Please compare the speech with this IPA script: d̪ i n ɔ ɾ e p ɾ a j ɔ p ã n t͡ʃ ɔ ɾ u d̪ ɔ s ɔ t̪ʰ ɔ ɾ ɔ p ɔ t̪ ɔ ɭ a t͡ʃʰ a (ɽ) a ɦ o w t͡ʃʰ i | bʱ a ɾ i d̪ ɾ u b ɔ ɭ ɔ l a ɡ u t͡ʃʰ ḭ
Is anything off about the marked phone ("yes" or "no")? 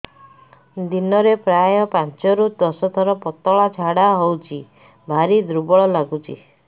no